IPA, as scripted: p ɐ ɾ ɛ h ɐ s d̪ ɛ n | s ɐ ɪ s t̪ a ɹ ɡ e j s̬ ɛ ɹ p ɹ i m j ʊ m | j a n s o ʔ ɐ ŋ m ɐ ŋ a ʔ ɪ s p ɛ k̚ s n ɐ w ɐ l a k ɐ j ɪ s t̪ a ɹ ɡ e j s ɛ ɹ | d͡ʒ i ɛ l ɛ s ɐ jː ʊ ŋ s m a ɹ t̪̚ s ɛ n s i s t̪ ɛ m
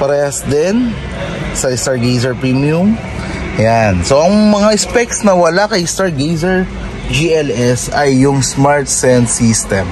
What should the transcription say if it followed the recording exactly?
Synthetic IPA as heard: p ɐ ɾ ɛ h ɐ s d̪ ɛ n | s ɐ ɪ s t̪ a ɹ ɡ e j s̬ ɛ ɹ p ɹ i m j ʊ m | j a n s o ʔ ɐ ŋ m ɐ ŋ a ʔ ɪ s p ɛ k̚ s n ɐ w ɐ l a k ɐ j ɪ s t̪ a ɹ ɡ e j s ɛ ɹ | d͡ʒ i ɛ l ɛ s ɐ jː ʊ ŋ s m a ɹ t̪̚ s ɛ n s i s t̪ ɛ m